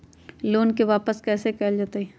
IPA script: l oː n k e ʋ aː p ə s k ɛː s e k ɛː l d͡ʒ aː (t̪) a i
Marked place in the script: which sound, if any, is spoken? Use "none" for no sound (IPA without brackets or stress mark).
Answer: t̪